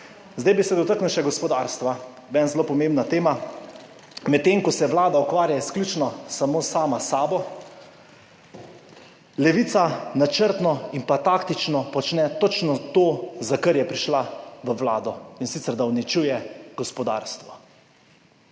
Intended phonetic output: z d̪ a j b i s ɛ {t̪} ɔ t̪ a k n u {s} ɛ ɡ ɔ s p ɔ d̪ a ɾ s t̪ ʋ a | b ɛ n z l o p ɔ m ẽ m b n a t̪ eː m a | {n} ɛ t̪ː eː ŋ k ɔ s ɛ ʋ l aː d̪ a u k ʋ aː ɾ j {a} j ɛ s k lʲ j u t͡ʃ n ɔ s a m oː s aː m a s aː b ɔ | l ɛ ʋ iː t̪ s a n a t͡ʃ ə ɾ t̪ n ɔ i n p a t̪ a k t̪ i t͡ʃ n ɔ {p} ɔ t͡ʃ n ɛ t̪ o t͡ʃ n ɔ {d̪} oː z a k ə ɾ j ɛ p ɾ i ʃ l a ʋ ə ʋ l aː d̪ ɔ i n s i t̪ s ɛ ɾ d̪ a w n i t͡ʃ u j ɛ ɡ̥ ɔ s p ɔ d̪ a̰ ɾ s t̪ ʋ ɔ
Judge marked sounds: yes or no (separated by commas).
no, no, no, yes, yes, no